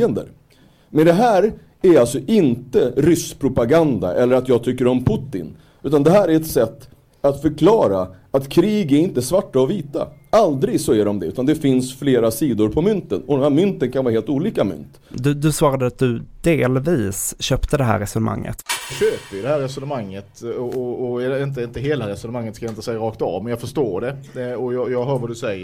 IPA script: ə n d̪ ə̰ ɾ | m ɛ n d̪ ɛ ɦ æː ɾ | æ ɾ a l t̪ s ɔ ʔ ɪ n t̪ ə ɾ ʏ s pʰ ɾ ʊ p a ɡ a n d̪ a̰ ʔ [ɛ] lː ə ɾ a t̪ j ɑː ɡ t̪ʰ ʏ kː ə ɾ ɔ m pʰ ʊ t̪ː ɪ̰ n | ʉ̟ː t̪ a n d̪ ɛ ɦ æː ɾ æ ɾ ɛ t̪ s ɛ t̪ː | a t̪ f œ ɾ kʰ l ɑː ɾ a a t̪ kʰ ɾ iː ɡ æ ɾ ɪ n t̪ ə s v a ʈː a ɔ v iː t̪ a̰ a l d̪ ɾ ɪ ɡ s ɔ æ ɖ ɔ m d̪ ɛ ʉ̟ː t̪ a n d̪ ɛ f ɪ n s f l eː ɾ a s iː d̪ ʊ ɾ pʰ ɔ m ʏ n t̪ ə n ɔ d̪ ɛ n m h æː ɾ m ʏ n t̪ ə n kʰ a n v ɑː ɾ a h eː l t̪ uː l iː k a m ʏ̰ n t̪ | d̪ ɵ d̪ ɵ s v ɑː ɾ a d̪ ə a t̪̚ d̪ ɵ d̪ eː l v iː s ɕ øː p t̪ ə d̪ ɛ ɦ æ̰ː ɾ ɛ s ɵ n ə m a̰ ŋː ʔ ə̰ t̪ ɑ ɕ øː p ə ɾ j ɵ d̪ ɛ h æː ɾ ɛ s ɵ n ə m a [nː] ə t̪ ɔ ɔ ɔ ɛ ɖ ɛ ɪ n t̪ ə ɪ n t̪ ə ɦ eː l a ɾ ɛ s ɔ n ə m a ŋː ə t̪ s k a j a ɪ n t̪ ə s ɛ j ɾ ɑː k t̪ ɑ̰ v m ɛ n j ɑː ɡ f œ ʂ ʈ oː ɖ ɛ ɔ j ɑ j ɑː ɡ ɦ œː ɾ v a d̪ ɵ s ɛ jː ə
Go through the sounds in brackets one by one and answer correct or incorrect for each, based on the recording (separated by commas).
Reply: correct, incorrect